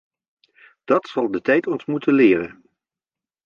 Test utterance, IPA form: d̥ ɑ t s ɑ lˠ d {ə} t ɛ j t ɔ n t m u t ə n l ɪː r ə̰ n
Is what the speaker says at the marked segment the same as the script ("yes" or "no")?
yes